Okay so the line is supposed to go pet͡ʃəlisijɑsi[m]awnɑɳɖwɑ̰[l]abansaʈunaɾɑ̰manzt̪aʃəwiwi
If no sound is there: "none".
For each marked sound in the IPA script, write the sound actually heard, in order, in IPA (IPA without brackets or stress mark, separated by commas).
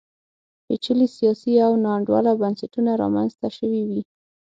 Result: none, l